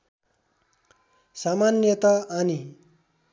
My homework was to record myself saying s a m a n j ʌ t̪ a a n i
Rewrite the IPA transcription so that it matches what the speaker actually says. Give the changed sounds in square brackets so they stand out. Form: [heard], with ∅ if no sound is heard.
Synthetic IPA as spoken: s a m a n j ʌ t̪ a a n i